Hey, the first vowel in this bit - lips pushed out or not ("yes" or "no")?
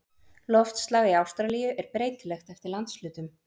yes